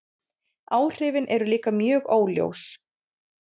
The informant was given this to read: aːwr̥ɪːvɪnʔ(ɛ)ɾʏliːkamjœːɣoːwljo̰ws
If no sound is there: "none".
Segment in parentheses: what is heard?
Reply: ɛ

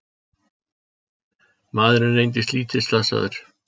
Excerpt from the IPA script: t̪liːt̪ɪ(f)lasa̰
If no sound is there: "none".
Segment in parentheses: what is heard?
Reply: s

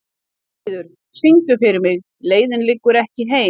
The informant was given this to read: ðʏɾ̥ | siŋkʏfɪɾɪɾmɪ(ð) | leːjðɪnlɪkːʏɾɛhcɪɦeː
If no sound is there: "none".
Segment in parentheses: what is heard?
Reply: ɣ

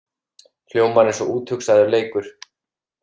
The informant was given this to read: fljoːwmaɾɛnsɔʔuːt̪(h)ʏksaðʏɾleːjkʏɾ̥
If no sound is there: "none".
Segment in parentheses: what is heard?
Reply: h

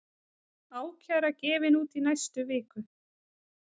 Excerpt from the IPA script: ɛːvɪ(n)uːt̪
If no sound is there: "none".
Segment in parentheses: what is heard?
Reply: n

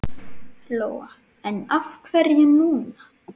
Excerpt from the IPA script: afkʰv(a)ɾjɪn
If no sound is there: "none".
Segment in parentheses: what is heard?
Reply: ɛ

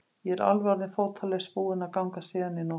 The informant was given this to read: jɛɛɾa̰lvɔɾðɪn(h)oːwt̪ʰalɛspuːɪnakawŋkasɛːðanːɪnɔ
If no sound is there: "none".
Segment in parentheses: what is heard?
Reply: f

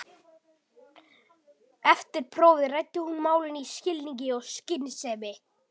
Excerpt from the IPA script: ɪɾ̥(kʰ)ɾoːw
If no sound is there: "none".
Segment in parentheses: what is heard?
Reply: pʰ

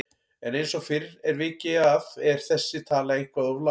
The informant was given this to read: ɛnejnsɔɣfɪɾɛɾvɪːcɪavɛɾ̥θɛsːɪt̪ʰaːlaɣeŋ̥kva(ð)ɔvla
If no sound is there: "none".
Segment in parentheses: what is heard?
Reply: ð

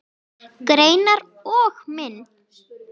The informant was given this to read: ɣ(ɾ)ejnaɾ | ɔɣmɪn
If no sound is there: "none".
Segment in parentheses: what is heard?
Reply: ɾ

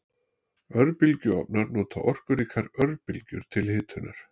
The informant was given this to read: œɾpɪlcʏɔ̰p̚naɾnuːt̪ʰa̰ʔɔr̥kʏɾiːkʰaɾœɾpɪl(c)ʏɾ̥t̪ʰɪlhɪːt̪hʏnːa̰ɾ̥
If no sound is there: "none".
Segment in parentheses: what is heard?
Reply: c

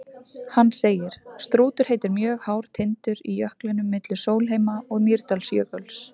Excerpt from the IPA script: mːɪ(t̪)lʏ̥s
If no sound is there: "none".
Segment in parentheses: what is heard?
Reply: t̪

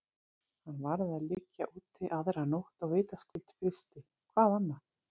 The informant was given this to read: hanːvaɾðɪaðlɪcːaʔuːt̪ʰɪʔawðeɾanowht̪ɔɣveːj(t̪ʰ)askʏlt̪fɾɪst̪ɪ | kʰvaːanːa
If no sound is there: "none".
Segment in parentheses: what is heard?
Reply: t̪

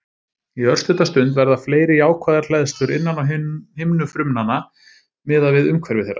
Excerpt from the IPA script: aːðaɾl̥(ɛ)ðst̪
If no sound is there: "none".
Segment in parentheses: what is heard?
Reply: ɛ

